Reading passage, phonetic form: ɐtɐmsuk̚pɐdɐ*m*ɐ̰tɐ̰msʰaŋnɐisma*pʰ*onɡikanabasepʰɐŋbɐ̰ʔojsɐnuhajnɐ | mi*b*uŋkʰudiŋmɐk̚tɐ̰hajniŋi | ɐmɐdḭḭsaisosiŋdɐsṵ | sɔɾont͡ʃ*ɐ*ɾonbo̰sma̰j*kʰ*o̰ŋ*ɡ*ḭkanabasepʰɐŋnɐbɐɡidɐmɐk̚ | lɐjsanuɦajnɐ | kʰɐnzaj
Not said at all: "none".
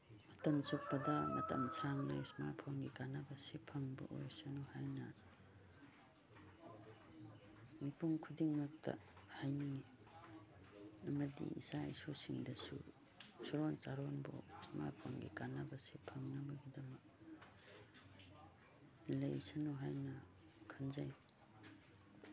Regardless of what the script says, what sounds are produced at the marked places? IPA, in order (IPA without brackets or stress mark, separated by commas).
m, pʰ, p, a, pʰ, ɡ